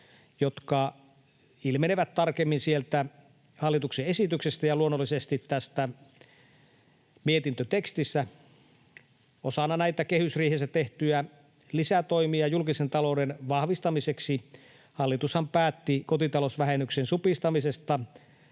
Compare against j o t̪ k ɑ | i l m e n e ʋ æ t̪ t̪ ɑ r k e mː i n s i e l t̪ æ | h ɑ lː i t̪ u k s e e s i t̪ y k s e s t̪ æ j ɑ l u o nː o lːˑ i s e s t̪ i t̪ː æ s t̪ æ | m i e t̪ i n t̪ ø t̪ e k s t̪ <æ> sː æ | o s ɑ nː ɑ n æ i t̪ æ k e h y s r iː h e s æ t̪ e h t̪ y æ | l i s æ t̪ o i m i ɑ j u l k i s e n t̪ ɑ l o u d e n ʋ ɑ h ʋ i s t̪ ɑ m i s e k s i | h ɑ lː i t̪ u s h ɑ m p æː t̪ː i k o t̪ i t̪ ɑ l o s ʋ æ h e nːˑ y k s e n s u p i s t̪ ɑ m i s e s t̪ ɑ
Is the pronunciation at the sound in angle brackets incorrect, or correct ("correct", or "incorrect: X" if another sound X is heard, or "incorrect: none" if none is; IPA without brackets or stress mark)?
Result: incorrect: i